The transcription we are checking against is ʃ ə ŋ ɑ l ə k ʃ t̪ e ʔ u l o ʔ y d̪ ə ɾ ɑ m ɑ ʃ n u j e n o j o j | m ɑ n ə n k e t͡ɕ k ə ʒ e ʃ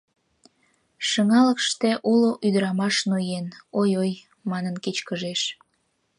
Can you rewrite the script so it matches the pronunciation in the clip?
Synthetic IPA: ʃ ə ŋ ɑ l ə k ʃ t̪ e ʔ u l o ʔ y d̪ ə ɾ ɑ m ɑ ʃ n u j e n o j o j | m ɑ n ə n k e t͡ɕ k ə ʒ e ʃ